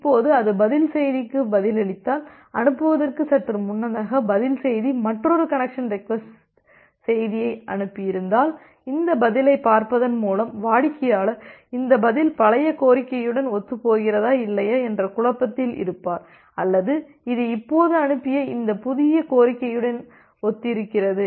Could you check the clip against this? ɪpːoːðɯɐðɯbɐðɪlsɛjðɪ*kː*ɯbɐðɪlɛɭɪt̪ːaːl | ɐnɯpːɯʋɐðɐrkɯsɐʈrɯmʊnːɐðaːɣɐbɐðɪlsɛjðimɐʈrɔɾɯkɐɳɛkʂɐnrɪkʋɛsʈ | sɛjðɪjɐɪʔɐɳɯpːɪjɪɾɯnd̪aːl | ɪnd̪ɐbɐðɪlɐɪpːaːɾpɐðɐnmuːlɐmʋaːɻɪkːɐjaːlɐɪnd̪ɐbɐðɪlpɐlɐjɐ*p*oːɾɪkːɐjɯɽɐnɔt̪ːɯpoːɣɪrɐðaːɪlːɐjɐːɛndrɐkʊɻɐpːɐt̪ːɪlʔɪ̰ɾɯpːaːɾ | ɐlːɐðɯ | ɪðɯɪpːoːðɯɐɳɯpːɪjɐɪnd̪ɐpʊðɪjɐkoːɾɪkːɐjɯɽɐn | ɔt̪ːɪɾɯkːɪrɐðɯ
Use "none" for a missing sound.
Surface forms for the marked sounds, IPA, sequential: kː, k

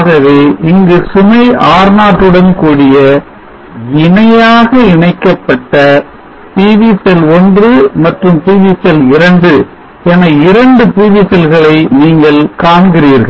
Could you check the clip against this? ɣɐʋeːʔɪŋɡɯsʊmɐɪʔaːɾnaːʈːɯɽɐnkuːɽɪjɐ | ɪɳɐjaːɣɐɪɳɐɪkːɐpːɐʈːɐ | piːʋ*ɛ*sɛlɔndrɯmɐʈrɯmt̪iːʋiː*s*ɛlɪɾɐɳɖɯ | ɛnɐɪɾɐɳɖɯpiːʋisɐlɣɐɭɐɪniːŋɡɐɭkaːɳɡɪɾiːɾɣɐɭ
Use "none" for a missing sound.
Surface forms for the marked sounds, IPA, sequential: i, s

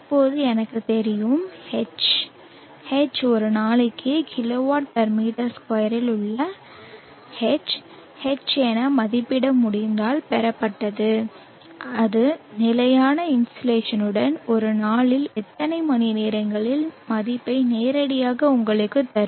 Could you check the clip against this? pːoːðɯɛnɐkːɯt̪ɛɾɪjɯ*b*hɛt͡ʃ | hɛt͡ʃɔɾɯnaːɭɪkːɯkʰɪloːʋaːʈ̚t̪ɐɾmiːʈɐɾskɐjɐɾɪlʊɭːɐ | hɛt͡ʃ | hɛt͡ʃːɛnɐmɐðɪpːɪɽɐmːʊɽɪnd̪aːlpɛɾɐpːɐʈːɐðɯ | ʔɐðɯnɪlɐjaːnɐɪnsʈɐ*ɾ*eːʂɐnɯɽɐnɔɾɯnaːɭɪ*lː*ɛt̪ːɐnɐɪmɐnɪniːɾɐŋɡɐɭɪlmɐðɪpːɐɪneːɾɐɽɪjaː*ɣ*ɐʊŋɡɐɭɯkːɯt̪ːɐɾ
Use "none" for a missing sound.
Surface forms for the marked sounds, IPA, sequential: m, l, l, ɣ

